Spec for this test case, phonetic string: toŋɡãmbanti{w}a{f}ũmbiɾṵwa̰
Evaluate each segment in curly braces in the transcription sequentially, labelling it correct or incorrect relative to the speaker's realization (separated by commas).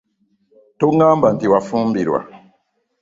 correct, correct